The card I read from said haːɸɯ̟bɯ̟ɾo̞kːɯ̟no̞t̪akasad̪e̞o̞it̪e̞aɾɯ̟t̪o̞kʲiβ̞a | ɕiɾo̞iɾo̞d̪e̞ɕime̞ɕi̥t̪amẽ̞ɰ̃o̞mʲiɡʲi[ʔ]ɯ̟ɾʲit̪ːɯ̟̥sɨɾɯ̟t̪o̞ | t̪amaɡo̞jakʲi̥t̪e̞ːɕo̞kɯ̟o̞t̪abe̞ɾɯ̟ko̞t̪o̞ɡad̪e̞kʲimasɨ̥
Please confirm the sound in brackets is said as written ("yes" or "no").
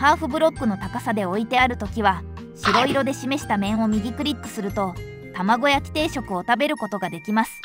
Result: no